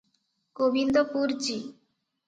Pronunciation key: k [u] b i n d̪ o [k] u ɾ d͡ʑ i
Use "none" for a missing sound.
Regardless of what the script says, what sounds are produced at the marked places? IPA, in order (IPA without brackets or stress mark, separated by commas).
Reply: o, p